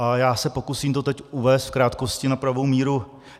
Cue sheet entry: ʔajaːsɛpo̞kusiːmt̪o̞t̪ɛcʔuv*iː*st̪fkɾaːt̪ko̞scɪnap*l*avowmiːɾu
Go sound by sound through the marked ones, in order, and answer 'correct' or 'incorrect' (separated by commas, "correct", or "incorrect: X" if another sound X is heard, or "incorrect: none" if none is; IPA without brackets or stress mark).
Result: incorrect: ɛː, incorrect: ɾ